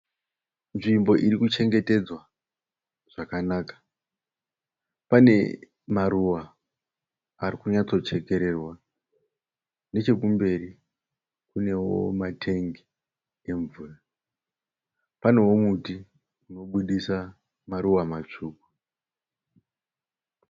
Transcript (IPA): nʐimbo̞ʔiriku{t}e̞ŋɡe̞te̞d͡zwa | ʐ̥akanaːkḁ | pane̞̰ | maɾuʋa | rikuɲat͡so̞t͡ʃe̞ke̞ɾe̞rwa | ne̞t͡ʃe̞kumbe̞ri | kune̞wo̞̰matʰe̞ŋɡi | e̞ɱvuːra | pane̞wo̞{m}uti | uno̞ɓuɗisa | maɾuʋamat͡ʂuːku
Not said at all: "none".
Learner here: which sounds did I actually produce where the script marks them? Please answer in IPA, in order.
t͡ʃ, m

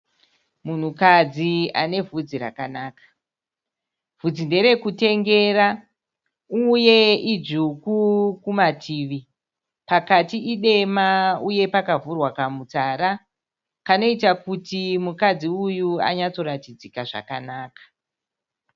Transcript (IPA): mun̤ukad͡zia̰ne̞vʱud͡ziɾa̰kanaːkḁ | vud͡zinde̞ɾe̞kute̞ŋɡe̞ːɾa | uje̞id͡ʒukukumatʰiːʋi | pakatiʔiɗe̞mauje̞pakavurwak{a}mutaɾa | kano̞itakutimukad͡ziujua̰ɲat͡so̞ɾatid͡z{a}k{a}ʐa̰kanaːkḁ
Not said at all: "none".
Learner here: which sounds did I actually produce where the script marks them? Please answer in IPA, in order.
a, i, a

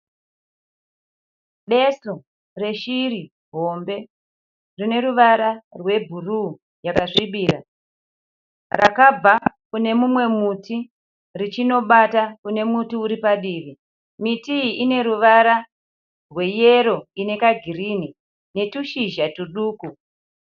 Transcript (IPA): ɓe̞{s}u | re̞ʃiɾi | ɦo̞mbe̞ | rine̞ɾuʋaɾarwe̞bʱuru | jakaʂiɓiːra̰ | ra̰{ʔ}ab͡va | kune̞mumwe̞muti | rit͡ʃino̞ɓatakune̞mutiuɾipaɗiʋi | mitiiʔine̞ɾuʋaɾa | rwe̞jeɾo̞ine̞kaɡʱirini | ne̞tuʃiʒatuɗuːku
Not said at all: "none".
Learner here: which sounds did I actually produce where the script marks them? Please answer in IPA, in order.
s, k

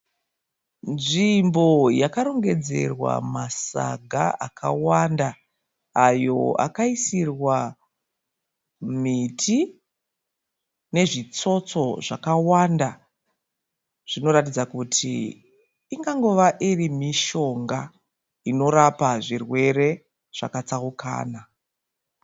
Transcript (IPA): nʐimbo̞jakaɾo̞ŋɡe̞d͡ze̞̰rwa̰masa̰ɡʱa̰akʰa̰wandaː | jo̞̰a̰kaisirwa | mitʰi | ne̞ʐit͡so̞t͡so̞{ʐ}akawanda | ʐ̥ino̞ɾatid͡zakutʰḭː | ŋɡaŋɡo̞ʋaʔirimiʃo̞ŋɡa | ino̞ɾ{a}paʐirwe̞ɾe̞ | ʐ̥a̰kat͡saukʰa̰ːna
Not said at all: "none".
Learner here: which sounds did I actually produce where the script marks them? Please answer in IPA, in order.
ʐ, a

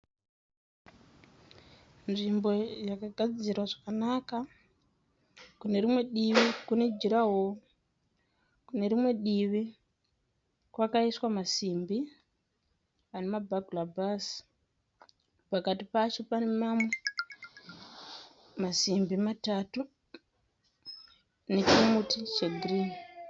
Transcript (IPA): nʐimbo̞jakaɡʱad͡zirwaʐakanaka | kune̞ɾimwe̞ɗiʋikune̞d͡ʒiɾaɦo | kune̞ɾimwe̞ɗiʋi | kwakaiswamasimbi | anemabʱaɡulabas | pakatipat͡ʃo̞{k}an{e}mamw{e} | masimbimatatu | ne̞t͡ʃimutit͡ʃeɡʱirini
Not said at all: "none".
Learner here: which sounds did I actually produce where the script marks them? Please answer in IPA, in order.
p, e, e

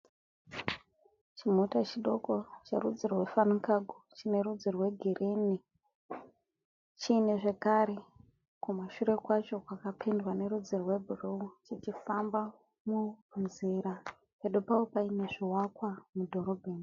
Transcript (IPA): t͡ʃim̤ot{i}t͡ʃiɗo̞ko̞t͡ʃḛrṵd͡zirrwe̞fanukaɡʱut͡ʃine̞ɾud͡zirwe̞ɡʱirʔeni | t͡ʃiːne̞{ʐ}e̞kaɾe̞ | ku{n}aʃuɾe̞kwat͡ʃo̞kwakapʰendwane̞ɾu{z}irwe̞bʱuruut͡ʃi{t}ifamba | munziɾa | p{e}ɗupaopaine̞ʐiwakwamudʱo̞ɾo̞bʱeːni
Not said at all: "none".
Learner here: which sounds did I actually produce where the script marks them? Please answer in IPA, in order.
a, ʐ, m, d͡z, t͡ʃ, e

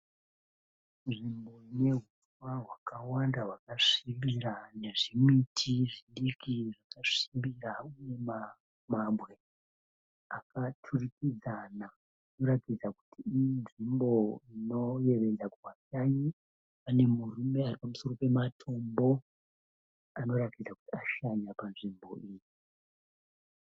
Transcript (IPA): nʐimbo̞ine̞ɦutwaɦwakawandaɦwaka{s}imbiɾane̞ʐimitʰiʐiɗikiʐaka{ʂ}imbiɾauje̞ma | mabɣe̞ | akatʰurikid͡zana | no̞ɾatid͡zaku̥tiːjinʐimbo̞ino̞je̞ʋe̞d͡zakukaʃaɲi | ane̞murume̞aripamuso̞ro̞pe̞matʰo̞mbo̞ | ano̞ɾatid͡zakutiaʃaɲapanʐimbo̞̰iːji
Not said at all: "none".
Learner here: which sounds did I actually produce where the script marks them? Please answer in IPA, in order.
ʂ, ʂ

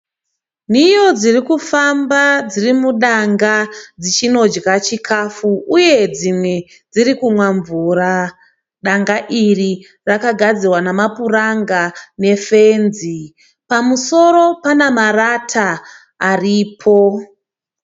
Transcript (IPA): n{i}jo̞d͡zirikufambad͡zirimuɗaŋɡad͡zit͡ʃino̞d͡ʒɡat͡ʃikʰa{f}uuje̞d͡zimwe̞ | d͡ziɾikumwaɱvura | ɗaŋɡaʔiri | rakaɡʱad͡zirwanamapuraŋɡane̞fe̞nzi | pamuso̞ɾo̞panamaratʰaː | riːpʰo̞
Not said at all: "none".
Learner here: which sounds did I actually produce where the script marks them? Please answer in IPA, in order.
i, f

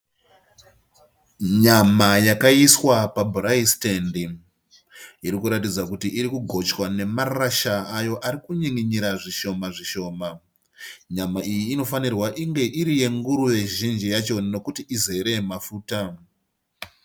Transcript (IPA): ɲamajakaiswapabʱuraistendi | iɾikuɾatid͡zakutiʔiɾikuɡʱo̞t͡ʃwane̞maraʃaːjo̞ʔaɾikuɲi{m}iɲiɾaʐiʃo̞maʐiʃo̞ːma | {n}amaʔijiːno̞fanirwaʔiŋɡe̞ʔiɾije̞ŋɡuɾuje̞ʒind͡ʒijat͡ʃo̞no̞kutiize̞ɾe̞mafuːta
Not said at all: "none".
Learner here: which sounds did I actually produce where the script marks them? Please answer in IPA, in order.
ŋ, ɲ

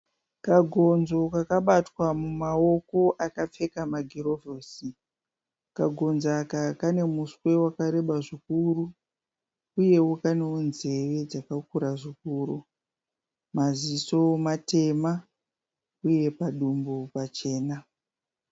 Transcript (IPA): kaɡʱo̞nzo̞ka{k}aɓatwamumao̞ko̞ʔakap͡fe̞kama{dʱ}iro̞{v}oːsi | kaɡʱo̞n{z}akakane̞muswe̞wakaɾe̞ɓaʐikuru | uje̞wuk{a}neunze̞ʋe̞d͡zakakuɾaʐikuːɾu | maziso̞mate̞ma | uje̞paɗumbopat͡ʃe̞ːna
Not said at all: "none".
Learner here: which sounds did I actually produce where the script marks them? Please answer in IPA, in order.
k, ɡʱ, v, z, a

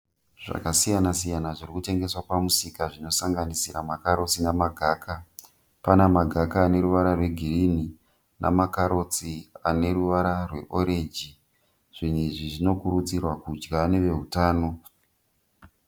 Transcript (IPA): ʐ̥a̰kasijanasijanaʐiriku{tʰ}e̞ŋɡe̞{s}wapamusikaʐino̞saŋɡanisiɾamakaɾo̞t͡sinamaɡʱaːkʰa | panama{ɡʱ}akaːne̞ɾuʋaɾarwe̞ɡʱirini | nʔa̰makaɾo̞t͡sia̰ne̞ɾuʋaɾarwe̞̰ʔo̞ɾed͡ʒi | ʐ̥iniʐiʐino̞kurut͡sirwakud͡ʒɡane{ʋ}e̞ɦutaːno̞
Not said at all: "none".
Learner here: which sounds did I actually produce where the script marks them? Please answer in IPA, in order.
t, s, ɡʱ, ʋ

